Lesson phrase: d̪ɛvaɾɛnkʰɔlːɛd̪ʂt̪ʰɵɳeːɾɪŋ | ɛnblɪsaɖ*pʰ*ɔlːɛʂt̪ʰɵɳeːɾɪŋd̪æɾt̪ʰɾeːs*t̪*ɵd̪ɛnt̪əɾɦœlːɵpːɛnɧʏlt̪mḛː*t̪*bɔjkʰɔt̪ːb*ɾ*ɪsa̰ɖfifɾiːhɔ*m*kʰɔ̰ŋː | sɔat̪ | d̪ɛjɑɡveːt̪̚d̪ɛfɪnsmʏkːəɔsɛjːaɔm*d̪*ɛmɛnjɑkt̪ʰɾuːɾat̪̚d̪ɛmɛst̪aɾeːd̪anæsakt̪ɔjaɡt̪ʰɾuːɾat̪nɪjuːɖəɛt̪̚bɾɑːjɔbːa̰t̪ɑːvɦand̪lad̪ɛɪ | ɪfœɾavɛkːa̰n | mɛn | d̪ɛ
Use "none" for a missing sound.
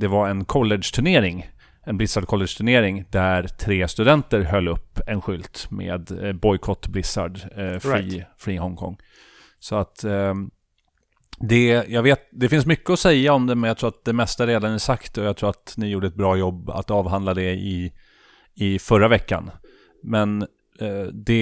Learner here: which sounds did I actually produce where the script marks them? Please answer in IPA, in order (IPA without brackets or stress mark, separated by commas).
kʰ, t̪, d̪, l, ŋ, d̪